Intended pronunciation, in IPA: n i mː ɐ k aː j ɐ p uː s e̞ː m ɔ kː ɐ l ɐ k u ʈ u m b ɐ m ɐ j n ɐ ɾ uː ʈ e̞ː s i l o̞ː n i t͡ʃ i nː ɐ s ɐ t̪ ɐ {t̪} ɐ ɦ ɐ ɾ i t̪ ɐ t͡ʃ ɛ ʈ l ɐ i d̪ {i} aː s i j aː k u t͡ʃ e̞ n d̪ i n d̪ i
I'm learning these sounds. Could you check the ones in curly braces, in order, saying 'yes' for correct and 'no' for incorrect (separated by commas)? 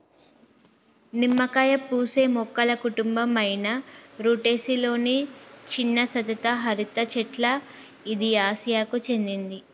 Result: yes, yes